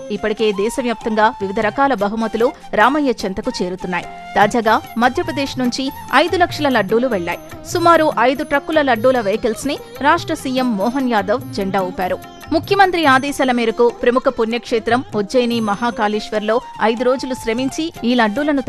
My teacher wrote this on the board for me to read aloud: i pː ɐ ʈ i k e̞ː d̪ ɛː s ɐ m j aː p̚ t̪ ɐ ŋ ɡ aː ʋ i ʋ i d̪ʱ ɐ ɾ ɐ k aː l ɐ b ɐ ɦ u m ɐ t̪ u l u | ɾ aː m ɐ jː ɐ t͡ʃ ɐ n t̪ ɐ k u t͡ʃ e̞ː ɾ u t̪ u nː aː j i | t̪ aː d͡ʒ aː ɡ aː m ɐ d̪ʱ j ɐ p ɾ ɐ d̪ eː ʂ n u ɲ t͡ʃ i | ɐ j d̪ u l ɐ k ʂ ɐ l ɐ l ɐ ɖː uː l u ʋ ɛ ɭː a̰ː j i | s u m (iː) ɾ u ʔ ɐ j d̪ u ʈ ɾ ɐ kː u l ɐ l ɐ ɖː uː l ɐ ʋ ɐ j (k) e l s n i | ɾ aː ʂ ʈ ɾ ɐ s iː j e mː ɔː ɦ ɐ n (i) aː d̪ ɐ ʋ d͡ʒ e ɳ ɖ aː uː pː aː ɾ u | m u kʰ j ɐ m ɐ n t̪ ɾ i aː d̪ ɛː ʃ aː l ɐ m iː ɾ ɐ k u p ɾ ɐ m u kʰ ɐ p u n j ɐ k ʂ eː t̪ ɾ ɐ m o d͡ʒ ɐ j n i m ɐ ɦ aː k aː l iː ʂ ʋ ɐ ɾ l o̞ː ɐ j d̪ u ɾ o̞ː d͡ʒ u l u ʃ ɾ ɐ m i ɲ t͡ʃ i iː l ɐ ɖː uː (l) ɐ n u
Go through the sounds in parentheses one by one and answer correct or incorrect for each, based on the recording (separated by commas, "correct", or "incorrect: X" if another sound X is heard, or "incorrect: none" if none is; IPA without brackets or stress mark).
incorrect: aː, correct, incorrect: j, correct